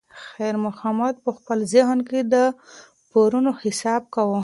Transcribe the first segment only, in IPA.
x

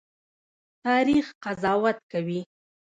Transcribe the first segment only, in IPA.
t̪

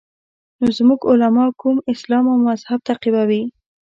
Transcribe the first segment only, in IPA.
n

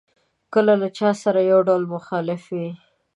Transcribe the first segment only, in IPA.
k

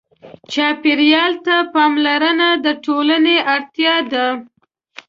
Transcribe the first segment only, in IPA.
t͡ʃ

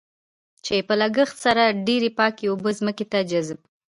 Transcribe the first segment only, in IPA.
t͡ʃ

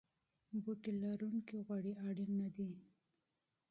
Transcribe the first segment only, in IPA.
b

